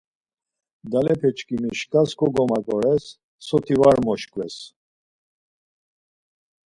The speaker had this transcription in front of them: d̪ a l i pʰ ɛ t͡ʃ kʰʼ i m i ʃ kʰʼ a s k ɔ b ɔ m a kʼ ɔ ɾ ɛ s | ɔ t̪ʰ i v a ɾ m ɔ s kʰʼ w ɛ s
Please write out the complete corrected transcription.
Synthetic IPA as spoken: d̪ a l ɛ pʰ ɛ t͡ʃ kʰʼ i m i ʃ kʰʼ a s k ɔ ɡ ɔ m a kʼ ɔ ɾ ɛ sː | ɔ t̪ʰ i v a ɾ m ɔ ʃ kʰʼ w ɛ s